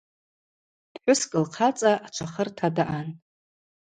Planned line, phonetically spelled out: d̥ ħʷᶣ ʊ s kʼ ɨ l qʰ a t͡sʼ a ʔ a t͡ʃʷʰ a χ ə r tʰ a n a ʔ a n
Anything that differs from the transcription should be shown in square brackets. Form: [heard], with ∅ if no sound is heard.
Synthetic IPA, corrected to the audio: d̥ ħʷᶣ ʊ s kʼ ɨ l qʰ a t͡sʼ a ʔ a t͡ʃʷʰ a χ ə r tʰ a [d] a ʔ a n